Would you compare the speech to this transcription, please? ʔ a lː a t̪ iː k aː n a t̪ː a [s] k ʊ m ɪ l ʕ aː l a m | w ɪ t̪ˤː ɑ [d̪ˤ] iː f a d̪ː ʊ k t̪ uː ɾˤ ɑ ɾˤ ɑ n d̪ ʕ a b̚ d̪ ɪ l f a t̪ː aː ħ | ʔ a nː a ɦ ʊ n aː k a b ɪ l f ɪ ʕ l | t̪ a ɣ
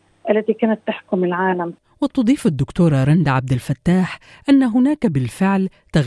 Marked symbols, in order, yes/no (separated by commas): no, yes